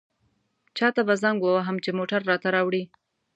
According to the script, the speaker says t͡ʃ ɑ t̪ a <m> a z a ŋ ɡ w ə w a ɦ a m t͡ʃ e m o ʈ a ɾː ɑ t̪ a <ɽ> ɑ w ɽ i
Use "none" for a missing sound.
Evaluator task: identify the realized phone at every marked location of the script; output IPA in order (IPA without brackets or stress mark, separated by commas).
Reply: b, ɾ